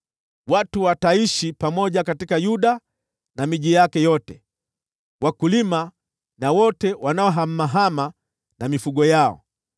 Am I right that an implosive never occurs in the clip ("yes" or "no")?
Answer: no